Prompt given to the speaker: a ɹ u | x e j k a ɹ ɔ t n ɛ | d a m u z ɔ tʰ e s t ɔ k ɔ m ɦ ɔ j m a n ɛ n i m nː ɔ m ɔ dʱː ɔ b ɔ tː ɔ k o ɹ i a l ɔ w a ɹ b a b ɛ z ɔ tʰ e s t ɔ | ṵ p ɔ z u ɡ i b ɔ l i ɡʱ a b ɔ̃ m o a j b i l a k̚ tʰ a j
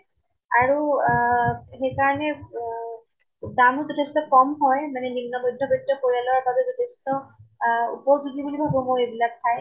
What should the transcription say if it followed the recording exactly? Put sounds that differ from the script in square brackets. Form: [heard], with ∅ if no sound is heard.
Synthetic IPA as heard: a ɹ u | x e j k a ɹ ɔ [∅] n ɛ | d a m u z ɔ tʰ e s t ɔ k ɔ m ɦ ɔ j m a n ɛ n i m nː ɔ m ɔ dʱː ɔ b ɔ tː ɔ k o ɹ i a l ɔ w a ɹ b a b ɛ z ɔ tʰ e s t ɔ | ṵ p ɔ z u ɡ i b [u] l i [bʱ] a b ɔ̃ m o [e] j b i l a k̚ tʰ a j